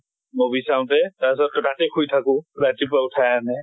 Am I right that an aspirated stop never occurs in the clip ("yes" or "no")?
no